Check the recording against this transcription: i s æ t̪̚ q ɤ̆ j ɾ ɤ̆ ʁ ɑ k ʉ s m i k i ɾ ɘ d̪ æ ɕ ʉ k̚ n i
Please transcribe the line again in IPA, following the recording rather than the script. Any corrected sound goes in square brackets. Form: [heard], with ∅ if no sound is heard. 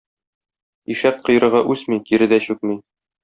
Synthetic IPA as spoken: i [ʃ] æ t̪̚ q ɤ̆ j ɾ ɤ̆ ʁ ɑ [ʔ] ʉ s m i k i ɾ ɘ d̪ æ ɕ ʉ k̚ [m] i